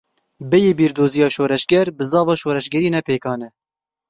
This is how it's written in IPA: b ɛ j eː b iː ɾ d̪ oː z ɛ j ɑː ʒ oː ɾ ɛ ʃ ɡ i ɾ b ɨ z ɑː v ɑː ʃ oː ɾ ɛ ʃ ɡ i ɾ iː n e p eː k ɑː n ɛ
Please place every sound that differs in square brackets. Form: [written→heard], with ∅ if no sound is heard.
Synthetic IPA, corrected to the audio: b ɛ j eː b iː ɾ d̪ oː z [ɛ→i] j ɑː [ʒ→ʃ] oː ɾ ɛ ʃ ɡ [i→ɛ] ɾ b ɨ z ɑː v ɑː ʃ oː ɾ ɛ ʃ ɡ [i→ɛ] ɾ iː n [e→ɛ] p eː k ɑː n ɛ